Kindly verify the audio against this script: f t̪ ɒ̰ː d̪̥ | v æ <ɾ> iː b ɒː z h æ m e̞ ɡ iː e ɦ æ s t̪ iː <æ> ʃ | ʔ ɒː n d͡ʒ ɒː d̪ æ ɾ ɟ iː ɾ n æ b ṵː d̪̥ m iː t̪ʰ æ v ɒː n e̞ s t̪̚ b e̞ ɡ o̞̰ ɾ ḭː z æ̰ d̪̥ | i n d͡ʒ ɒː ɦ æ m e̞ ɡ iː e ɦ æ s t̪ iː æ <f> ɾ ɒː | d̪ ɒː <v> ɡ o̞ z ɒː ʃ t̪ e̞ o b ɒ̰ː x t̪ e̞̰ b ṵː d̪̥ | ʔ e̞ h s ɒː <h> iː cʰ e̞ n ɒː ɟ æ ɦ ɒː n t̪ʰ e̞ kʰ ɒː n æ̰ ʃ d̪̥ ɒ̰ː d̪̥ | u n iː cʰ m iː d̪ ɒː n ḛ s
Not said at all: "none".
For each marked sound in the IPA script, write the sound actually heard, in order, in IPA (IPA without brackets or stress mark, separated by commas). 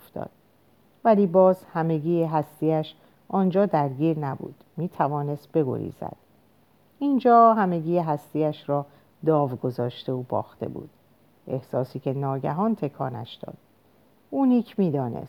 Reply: l, æ, ʃ, v, s